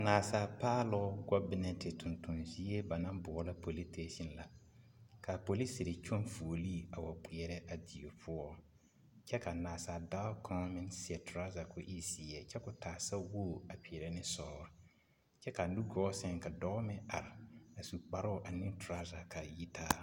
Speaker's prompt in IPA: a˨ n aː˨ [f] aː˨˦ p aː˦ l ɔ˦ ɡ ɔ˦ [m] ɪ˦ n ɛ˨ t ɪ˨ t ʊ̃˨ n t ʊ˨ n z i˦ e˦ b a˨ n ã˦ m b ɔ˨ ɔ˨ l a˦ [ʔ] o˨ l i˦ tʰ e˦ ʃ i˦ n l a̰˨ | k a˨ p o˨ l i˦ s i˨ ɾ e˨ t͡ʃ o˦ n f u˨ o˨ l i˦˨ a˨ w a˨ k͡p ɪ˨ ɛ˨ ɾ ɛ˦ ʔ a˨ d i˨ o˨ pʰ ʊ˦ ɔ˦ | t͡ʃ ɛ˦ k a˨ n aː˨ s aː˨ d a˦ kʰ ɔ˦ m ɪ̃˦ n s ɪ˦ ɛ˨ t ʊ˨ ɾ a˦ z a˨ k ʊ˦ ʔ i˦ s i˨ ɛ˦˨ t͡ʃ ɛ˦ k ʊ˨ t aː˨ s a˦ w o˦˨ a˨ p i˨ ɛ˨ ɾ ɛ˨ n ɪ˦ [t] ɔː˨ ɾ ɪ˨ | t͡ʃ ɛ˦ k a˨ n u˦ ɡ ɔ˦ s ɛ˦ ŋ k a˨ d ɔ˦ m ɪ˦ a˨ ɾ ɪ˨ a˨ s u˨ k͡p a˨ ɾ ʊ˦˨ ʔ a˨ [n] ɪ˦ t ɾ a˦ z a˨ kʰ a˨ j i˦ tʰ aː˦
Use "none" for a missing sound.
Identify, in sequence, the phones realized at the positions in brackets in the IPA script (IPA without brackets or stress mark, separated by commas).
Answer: s, b, p, s, n